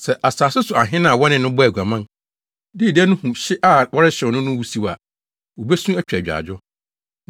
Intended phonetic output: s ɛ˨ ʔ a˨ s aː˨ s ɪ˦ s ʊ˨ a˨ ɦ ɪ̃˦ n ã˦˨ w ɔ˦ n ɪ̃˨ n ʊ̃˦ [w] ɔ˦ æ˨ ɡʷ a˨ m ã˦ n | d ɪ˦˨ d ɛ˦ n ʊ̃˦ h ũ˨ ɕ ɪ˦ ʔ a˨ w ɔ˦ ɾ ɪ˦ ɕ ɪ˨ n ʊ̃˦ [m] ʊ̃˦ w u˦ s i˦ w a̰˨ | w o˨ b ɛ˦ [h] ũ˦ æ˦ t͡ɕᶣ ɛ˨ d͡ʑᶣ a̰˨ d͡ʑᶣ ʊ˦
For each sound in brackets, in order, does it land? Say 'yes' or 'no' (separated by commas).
no, no, no